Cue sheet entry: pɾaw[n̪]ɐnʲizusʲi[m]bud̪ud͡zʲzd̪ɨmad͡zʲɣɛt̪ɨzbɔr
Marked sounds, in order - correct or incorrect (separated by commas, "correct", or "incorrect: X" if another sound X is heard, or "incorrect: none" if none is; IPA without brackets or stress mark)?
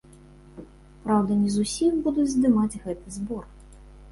incorrect: d̪, correct